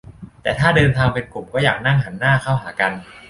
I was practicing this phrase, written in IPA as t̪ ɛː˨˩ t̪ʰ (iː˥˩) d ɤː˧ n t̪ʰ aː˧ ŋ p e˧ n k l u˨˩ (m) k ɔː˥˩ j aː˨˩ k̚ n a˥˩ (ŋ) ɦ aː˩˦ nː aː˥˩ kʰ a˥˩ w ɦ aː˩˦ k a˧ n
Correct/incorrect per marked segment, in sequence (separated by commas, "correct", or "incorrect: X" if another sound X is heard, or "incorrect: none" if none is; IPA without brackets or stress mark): incorrect: aː˥˩, correct, correct